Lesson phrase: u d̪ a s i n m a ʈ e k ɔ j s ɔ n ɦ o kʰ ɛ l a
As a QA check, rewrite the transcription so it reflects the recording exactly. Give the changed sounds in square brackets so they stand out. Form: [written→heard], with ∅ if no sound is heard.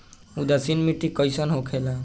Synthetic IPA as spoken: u d̪ a s i n m [a→i] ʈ [e→i] k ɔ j s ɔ n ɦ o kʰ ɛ l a